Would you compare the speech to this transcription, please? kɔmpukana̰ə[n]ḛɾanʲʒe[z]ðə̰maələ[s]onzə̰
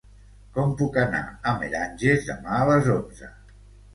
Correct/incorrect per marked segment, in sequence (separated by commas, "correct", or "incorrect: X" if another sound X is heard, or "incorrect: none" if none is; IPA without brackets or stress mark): incorrect: m, correct, incorrect: z